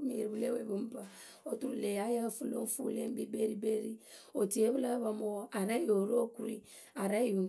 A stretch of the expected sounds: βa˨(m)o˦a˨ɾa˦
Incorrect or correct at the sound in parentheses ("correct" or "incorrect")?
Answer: correct